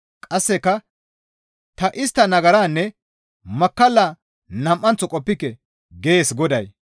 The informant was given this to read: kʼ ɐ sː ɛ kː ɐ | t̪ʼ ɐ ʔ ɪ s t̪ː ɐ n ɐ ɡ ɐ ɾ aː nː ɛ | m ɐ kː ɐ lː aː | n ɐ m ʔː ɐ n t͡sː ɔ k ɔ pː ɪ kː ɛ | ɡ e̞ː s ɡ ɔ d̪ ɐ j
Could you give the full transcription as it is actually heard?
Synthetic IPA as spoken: kʼ ɐ sː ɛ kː ɐ | t̪ ɐ ʔ ɪ s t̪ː ɐ n ɐ ɡ ɐ ɾ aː nː ɛ | m ɐ kː ɐ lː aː | n ɐ m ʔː ɐ n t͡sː ɔ kʼ ɔ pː ɪ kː ɛ | ɡ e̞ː s ɡ ɔ d̪ ɐ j